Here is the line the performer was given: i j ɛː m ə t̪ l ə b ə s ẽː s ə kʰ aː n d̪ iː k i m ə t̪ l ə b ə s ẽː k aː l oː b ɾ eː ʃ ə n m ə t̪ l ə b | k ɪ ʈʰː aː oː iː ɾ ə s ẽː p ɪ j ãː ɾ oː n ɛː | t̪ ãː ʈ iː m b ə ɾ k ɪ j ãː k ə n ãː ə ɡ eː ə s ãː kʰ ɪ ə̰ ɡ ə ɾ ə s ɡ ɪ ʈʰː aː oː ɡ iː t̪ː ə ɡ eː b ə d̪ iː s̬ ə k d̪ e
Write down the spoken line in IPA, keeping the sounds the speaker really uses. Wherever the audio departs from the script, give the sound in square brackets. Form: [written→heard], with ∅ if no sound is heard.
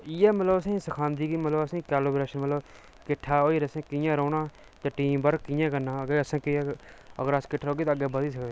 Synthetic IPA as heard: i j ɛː m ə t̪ l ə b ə s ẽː s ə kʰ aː n d̪ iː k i m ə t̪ l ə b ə s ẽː k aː l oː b ɾ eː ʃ ə n m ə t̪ l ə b | k ɪ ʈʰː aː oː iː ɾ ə s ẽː [p→k] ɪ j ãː ɾ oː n [ɛː→aː] | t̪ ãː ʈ iː m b ə ɾ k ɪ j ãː k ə n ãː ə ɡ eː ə s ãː [kʰ→k] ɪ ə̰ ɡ ə ɾ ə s [ɡ→k] ɪ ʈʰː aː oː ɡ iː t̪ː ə ɡ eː b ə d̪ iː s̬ ə k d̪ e